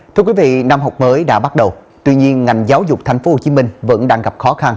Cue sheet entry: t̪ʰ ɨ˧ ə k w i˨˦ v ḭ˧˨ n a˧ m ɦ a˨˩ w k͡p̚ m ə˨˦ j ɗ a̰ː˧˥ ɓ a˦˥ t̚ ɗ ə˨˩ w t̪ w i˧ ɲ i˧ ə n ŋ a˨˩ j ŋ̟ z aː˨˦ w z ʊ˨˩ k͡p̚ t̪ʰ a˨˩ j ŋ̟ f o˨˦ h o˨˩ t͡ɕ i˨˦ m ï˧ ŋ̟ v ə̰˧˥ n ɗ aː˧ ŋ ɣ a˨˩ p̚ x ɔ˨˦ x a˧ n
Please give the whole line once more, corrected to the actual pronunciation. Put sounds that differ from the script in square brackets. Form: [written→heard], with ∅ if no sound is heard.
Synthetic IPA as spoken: t̪ʰ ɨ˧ ə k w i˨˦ v ḭ˧˨ n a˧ m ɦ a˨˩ w k͡p̚ m [ə˨˦→əː˨˦] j ɗ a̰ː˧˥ ɓ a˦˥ t̚ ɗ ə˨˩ w t̪ w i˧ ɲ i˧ ə n ŋ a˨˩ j ŋ̟ z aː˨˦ w z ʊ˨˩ k͡p̚ t̪ʰ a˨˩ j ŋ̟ f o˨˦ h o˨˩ t͡ɕ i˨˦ m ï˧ ŋ̟ v ə̰˧˥ n ɗ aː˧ ŋ ɣ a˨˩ p̚ x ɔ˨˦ x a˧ n